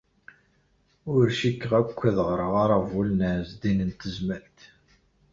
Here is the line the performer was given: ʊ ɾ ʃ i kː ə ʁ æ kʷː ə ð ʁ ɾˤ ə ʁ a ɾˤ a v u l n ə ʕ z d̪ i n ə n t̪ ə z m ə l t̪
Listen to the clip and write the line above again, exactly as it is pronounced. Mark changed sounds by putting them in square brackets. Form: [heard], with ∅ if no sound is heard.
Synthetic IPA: ʊ ɾ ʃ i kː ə ʁ æ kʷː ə ð ʁ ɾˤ ə ʁ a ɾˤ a v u l n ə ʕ z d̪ i n ə n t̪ ə z m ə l t̪

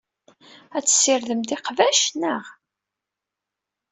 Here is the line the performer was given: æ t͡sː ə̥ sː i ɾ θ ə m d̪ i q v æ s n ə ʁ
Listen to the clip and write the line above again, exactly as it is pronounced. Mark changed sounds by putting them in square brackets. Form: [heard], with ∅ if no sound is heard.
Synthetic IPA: æ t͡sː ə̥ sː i ɾ [ð] ə m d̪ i q v æ [ʃ] n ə ʁ

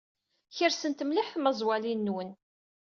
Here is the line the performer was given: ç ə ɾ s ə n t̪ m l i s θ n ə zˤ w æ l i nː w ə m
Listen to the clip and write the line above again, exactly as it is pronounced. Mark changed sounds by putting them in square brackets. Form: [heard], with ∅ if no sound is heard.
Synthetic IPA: ç ə ɾ s ə n t̪ m l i [ħ] θ [m] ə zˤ w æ l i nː w ə [n]

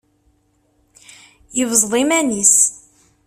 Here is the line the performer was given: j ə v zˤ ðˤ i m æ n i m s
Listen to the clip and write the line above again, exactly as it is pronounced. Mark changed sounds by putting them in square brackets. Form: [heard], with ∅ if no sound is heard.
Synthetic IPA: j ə v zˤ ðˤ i m æ n i [∅] s

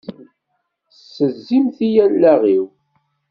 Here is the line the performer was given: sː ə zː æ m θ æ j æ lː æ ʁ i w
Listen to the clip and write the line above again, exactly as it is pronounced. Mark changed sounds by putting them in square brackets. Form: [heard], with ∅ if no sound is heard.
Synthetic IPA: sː ə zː [i] m θ [i] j æ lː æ ʁ i w

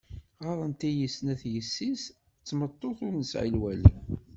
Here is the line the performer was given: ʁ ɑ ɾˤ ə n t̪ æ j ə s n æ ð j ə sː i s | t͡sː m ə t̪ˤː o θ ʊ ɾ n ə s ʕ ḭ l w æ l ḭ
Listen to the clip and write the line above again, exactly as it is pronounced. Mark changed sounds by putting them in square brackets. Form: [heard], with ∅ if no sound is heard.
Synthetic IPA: ʁ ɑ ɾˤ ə n t̪ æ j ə s n æ [θ] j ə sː i s | t͡sː m ə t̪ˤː o θ ʊ ɾ n ə s ʕ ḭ l w æ l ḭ

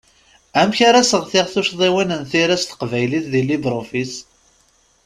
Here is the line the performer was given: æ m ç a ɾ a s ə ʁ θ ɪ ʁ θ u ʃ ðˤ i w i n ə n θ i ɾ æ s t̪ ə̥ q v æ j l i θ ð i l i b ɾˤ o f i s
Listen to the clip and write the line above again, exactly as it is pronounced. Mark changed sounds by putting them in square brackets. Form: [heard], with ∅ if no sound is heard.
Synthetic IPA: æ m ç a ɾ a s ə ʁ θ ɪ ʁ θ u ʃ ðˤ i w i n ə n θ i ɾ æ s t̪ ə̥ q v æ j l i θ ð i l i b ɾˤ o f i s

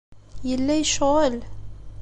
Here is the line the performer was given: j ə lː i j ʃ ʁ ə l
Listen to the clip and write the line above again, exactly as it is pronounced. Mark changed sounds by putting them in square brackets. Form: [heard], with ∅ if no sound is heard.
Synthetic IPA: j ə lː [æ] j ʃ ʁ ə l

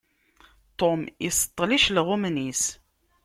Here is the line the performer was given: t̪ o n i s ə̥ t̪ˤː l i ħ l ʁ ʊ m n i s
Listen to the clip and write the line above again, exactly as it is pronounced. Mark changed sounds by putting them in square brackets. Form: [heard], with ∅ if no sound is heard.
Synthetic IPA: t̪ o [m] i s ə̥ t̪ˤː l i [ʃ] l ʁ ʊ m n i s

